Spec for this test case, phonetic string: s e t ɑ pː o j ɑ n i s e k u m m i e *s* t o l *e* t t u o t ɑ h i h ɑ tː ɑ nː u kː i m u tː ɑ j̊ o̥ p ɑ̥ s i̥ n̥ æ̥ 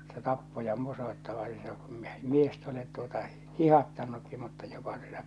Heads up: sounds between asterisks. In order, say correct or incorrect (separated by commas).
correct, correct